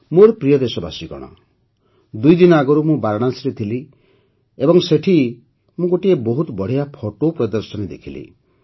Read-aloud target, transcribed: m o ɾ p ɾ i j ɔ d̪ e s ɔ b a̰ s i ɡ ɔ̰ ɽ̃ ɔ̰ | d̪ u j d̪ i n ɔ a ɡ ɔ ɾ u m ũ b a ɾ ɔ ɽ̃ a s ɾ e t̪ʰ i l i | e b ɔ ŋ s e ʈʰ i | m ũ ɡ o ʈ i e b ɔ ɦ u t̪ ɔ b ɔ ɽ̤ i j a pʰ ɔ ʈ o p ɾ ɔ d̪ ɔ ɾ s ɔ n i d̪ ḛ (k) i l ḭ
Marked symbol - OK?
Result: no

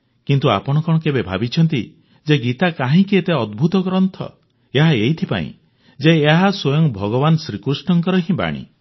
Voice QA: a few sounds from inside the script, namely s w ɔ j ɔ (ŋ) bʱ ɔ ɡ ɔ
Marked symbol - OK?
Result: yes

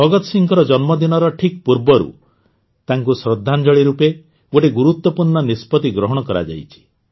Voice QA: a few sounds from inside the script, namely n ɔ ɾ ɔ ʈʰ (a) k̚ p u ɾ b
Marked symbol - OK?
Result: no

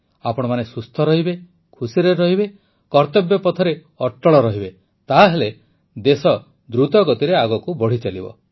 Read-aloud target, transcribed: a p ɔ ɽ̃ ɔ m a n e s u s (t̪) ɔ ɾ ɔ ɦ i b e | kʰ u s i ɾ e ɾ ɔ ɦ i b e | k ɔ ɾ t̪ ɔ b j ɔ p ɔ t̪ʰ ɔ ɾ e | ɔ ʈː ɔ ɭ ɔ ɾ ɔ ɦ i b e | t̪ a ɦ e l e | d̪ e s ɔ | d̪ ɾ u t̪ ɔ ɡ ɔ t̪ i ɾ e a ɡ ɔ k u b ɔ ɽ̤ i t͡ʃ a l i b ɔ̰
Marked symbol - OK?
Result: no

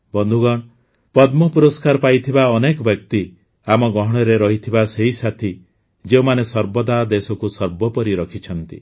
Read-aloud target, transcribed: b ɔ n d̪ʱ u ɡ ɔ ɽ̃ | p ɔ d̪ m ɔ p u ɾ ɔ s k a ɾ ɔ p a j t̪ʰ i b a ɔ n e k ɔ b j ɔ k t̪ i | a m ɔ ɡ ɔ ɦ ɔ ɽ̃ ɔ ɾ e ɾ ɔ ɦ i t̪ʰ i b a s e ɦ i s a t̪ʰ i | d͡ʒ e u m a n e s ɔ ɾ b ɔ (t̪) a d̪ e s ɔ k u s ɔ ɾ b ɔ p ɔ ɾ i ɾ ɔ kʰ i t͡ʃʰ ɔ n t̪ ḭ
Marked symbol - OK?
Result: no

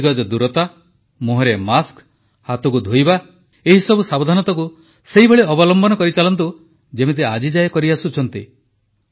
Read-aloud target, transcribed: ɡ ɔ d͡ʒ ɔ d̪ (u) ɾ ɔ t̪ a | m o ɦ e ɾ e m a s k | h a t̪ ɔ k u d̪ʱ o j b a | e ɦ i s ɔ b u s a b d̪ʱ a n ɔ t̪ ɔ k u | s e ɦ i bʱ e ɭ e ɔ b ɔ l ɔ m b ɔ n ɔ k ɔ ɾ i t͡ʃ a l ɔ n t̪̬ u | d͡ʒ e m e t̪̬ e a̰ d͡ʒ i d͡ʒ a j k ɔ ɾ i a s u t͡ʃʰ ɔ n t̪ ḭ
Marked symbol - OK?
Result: yes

